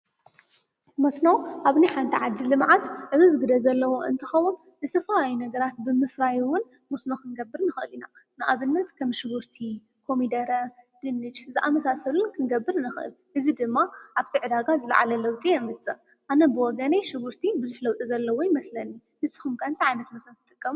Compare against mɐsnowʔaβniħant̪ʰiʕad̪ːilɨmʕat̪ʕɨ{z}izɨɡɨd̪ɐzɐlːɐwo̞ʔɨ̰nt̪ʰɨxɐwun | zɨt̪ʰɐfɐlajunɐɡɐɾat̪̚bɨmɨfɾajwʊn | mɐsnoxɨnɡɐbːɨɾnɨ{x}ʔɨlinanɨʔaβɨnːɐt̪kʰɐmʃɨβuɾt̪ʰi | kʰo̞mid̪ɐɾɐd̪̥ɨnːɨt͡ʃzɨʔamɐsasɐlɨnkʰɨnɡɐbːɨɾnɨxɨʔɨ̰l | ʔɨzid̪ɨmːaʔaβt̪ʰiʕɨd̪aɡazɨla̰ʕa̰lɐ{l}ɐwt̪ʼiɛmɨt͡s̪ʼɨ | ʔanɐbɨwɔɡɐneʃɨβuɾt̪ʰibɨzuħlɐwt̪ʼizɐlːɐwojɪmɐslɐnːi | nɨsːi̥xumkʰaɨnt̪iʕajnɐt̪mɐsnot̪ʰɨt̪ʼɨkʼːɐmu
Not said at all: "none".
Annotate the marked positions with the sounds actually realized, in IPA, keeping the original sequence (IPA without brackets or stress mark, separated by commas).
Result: z, x, l